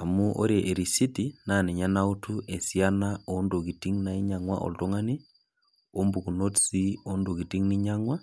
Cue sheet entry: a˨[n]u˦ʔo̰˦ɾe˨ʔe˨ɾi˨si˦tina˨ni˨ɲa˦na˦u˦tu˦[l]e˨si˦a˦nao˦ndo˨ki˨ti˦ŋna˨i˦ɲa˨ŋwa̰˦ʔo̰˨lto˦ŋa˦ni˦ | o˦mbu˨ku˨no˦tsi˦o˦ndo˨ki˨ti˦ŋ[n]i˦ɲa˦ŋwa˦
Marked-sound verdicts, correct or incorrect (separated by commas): incorrect, incorrect, correct